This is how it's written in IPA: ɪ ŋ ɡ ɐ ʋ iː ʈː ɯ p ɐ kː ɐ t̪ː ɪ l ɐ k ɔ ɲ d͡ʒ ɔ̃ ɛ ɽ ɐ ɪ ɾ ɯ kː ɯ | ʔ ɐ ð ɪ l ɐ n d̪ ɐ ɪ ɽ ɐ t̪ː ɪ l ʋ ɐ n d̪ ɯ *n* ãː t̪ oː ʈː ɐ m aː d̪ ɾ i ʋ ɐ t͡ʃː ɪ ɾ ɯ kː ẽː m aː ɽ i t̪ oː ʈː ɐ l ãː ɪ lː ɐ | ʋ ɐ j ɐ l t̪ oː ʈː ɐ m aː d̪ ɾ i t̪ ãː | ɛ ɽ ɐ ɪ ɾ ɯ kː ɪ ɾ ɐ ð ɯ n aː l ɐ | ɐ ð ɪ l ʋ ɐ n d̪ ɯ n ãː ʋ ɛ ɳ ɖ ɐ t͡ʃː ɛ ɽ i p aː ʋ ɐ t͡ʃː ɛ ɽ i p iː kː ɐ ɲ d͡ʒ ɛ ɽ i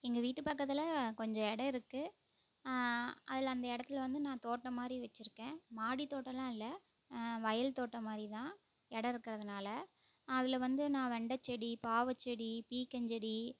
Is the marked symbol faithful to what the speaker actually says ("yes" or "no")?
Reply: yes